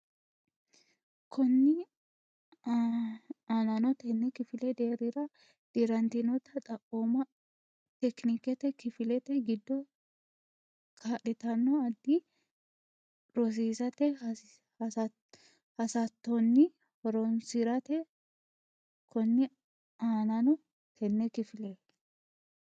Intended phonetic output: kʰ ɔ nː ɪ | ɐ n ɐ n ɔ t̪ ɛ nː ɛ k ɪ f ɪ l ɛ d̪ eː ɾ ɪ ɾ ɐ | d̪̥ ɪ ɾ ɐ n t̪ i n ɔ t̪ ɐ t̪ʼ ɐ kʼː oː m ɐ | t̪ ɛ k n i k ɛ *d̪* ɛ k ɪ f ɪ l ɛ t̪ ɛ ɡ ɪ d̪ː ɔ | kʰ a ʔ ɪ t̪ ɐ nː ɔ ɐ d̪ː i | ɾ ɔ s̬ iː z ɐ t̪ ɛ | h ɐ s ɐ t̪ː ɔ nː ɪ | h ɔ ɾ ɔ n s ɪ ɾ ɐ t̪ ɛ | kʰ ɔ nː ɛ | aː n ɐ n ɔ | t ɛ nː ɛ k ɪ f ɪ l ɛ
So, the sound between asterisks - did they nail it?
no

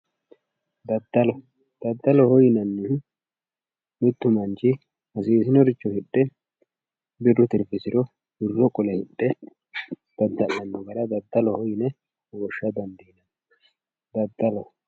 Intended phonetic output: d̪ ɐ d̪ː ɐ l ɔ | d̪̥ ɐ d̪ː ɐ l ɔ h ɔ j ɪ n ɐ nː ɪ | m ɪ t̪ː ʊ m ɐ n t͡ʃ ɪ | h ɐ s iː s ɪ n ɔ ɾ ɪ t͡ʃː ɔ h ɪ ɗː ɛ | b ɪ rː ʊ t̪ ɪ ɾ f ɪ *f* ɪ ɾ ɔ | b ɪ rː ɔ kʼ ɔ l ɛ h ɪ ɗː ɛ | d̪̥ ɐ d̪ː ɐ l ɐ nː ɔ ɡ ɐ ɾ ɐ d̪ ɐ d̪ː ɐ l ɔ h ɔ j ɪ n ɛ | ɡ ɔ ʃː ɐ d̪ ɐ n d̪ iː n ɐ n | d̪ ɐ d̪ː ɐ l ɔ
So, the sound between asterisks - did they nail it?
no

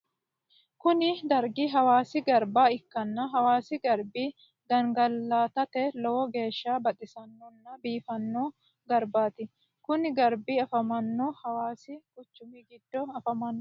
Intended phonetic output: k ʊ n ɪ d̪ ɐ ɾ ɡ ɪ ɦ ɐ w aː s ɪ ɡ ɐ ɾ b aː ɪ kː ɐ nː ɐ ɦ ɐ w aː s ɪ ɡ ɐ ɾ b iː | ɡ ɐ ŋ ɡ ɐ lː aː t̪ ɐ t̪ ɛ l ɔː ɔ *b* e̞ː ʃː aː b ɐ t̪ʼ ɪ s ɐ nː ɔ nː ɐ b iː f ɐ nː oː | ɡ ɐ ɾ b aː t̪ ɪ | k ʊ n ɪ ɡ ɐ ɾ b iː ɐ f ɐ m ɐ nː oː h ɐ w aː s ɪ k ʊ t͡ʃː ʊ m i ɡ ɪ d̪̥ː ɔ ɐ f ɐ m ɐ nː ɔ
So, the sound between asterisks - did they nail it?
no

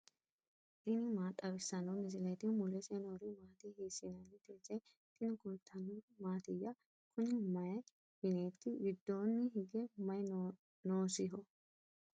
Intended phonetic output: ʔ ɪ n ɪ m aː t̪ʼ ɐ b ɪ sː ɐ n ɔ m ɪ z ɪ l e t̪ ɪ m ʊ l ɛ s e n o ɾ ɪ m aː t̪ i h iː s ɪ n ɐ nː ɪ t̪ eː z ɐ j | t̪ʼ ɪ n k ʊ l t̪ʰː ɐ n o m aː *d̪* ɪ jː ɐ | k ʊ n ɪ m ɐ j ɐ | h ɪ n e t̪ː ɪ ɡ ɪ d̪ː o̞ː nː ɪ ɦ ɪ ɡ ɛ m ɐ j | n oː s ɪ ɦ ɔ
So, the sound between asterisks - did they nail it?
no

